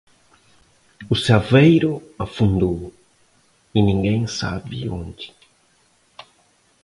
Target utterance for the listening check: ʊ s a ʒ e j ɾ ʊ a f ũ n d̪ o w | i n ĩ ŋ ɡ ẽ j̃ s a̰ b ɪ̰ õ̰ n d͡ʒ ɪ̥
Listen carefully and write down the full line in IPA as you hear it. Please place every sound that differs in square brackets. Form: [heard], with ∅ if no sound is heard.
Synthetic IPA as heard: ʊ s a [v] e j ɾ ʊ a f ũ n d̪ o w | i n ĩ ŋ ɡ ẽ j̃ s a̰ b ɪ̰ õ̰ n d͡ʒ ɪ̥